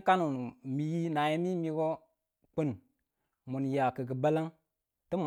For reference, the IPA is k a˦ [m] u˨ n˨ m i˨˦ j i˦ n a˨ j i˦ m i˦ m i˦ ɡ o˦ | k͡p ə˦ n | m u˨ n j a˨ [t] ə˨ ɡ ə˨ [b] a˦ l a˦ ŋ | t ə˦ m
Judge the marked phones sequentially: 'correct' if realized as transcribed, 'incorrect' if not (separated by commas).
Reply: incorrect, incorrect, correct